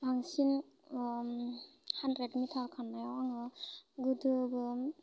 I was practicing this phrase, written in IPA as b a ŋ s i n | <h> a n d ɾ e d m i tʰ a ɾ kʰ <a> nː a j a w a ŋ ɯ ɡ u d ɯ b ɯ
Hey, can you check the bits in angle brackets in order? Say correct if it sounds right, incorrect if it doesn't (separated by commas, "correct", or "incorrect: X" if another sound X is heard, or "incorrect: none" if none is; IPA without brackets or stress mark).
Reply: correct, correct